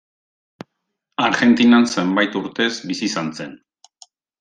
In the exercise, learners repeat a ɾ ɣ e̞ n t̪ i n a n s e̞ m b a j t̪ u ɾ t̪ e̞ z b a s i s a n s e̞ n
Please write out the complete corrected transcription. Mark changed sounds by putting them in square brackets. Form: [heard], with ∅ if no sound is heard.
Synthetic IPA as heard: a ɾ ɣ e̞ n t̪ i n a n s e̞ m b a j t̪ u ɾ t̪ e̞ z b [i] s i s a n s e̞ n